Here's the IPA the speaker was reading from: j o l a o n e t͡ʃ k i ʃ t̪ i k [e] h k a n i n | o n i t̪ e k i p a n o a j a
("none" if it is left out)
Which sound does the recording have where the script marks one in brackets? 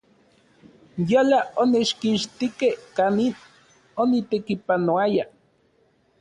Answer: e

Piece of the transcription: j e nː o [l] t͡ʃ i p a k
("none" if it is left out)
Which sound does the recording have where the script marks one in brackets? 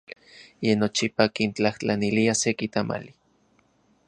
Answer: none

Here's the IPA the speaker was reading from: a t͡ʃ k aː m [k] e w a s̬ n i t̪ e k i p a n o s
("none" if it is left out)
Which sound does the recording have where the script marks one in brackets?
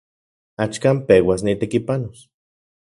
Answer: p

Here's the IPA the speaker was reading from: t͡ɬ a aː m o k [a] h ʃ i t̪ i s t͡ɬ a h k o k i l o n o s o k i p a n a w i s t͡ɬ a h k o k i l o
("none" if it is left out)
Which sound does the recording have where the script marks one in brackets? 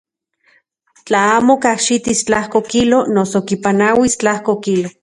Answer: a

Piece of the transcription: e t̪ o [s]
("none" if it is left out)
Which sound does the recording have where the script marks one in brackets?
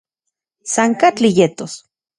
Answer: s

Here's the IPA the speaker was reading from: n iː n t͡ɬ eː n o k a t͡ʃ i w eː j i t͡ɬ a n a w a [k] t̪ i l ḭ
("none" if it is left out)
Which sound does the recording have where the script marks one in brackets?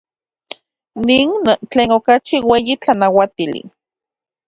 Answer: none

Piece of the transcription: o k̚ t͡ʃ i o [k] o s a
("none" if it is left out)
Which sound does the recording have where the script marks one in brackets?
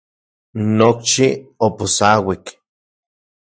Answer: p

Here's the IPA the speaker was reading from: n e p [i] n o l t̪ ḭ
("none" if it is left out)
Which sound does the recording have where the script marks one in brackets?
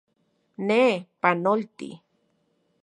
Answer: a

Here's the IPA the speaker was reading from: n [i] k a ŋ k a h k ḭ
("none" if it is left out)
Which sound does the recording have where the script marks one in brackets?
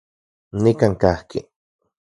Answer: i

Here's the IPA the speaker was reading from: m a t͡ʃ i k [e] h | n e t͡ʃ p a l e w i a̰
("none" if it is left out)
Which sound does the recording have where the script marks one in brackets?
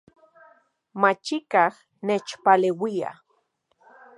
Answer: a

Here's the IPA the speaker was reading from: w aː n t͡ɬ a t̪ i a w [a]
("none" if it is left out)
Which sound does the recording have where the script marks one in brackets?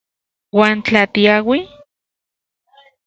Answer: i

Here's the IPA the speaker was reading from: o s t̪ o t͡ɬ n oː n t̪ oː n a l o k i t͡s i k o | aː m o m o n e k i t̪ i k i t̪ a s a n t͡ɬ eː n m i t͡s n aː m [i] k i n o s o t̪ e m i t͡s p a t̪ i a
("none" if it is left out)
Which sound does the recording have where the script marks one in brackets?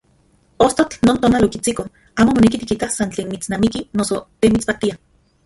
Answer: i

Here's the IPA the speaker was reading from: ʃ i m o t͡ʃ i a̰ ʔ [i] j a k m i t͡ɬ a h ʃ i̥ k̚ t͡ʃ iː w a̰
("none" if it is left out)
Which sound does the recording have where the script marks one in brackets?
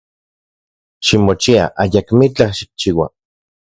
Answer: a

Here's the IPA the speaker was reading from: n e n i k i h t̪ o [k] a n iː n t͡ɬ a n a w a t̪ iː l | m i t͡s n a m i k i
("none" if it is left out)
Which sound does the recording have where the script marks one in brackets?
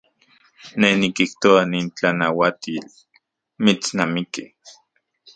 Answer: none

